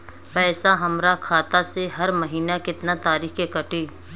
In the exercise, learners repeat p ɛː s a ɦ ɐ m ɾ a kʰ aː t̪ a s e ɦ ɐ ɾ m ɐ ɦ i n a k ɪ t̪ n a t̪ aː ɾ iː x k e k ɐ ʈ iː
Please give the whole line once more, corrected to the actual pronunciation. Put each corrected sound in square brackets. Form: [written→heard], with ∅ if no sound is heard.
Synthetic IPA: p ɛː s a ɦ ɐ m ɾ a kʰ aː t̪ a s e ɦ ɐ ɾ m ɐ ɦ [i→iː] n a k ɪ t̪ n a t̪ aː ɾ iː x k e k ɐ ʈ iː